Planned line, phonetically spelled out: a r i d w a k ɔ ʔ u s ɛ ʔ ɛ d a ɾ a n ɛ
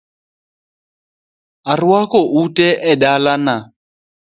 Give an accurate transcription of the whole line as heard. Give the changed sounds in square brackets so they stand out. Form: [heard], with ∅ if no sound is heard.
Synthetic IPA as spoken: a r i [∅] w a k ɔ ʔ u [t] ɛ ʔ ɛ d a [l] a n [a]

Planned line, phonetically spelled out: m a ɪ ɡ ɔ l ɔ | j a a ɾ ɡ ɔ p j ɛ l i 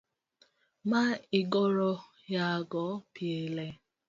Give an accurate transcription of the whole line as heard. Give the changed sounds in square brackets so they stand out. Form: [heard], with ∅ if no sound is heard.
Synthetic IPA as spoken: m a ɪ ɡ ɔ [ɾ] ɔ | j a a [∅] ɡ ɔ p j [e] l [e]

